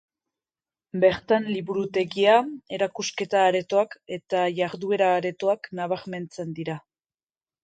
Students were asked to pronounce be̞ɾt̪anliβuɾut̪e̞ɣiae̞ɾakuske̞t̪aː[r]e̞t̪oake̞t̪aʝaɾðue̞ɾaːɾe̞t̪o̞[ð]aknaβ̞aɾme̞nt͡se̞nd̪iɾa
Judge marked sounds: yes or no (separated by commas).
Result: no, no